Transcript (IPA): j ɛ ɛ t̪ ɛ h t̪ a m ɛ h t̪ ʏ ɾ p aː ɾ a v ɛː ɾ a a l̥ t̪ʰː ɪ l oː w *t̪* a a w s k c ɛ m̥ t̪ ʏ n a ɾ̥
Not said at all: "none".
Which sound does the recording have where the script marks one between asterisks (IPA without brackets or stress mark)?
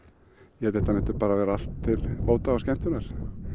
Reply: t̪